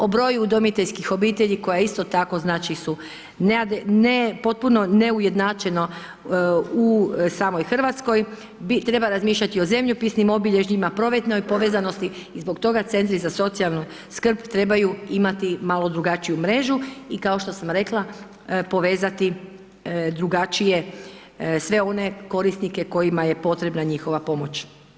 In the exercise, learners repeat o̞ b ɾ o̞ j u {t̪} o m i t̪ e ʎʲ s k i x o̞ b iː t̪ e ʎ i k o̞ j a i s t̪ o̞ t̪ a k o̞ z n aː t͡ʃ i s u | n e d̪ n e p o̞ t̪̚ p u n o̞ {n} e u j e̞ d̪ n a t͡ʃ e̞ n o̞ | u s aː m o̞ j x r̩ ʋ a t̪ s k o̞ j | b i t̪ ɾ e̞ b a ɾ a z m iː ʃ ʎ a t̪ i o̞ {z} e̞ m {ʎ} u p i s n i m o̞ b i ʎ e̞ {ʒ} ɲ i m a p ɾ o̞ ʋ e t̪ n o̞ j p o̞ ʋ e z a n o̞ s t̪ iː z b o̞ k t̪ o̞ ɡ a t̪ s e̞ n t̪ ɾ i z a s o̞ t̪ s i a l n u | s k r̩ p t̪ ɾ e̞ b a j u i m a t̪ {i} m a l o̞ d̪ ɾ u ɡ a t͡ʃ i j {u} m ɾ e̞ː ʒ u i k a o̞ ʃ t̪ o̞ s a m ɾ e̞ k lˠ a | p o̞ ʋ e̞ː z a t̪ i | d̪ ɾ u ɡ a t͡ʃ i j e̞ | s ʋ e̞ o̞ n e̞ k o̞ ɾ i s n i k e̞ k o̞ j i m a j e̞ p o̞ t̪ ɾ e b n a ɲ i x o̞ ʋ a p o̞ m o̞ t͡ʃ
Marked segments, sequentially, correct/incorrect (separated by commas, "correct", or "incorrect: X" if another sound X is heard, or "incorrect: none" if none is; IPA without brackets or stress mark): incorrect: d̪, correct, correct, correct, correct, correct, correct